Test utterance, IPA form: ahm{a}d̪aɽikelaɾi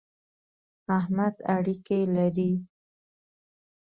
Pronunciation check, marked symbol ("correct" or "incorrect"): correct